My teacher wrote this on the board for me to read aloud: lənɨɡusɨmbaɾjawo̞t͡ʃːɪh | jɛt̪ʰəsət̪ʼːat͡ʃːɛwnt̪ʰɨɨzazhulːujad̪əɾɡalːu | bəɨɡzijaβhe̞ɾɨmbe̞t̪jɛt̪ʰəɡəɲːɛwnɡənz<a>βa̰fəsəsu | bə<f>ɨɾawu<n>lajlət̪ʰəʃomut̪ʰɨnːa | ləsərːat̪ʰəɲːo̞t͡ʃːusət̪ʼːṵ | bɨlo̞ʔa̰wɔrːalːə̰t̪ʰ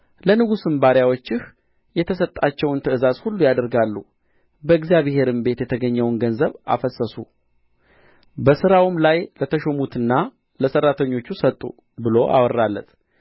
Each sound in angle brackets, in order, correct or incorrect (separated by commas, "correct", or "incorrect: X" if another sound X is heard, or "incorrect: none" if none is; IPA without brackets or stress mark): incorrect: ə, incorrect: s, incorrect: m